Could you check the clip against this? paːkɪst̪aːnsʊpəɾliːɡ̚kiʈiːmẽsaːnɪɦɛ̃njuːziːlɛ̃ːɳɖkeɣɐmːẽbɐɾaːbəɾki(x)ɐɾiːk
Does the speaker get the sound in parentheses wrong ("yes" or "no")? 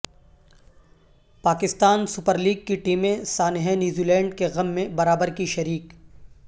yes